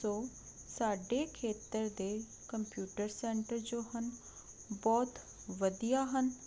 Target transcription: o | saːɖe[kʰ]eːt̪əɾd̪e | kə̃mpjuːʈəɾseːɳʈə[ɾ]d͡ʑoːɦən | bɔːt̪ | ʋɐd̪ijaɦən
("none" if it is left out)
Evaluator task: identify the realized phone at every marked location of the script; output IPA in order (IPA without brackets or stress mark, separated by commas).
kʰ, ɾ